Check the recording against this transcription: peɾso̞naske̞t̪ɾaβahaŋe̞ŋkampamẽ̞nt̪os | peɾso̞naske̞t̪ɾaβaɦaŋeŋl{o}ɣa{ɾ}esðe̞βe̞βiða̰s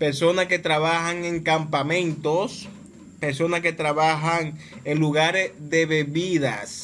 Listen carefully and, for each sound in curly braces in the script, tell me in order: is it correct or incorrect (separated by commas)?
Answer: incorrect, correct